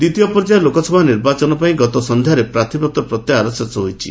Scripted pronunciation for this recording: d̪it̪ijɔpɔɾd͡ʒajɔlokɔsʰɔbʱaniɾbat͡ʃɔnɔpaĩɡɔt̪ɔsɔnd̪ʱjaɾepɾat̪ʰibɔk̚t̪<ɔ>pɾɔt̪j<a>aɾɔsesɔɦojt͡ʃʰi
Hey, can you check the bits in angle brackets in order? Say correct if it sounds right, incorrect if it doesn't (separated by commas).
correct, correct